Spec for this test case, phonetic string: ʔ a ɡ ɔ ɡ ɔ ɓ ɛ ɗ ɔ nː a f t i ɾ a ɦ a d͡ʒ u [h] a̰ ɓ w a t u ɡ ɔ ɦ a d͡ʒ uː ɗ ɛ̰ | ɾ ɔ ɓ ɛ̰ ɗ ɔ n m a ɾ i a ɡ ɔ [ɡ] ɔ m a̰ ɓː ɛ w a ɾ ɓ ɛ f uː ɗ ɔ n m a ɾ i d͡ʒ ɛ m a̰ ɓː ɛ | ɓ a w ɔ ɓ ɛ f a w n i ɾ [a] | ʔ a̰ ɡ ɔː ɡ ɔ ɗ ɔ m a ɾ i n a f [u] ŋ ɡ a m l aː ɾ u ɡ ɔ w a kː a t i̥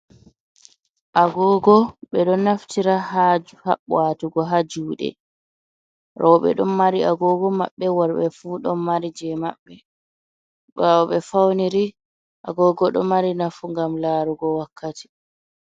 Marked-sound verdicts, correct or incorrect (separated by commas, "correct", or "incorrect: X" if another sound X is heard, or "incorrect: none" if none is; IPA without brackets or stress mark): correct, correct, incorrect: i, correct